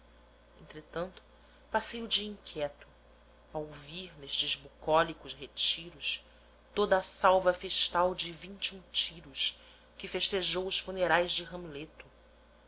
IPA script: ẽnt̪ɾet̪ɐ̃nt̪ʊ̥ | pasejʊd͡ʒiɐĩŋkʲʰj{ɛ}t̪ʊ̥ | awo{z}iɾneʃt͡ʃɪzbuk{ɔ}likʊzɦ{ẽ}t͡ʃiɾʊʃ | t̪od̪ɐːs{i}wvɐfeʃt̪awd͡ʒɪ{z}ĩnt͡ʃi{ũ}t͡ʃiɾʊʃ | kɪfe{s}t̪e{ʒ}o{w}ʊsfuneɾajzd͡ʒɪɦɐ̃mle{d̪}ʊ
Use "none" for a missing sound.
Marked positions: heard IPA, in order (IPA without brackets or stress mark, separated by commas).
ɛ, v, ɔ, e, a, v, ũ, ʃ, ʒ, w, t̪